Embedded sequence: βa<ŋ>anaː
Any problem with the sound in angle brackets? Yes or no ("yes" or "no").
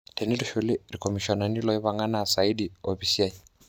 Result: no